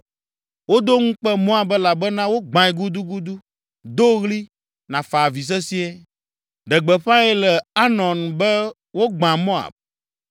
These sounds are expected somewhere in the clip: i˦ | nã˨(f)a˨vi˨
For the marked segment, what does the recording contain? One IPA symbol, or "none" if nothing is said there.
f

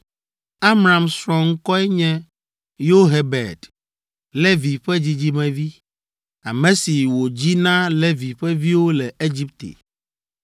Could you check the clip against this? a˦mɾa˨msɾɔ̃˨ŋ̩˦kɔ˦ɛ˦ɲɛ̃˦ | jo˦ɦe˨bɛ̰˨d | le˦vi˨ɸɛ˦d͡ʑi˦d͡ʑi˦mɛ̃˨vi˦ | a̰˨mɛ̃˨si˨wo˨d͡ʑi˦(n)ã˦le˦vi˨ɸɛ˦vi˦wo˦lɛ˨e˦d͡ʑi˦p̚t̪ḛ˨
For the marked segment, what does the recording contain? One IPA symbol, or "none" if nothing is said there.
n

